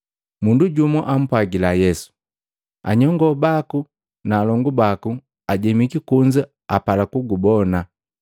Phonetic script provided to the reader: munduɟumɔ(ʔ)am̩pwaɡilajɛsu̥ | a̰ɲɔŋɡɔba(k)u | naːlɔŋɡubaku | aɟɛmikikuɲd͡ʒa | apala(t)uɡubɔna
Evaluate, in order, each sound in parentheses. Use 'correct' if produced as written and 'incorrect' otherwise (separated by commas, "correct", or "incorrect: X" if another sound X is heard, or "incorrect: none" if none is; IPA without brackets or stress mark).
correct, correct, incorrect: k